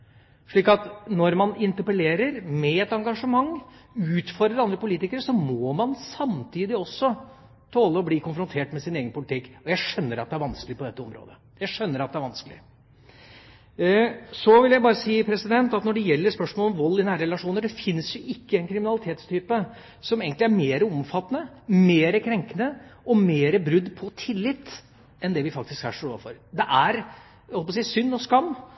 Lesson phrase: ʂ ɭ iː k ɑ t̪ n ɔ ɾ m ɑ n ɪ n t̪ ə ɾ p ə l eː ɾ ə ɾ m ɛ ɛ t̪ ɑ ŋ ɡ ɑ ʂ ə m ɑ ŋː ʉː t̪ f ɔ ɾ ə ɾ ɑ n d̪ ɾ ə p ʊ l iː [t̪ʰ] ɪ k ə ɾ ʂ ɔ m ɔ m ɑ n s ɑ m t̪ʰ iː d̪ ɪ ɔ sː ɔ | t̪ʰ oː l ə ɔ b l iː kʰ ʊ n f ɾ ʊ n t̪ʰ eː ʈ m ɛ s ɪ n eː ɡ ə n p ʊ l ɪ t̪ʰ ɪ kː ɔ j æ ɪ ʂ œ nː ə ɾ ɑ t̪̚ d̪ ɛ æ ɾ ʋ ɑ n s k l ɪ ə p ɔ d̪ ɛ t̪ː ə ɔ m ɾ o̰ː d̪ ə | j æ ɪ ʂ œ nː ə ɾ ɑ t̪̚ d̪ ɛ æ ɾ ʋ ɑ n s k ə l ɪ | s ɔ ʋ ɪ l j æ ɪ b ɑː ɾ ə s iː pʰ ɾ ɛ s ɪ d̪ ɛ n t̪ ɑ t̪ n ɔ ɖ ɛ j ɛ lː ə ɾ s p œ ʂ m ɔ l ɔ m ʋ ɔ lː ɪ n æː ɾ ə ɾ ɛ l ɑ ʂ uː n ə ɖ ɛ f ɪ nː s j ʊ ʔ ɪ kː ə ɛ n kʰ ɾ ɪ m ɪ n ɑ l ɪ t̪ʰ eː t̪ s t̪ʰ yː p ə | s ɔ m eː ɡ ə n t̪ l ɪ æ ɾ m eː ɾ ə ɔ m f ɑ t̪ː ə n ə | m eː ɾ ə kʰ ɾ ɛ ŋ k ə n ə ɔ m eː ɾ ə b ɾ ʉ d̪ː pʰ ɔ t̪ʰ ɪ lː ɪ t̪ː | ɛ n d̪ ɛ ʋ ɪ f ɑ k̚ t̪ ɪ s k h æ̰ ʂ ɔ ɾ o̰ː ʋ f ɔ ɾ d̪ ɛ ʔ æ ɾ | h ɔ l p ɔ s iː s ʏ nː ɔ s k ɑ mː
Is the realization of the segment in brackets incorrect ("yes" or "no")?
yes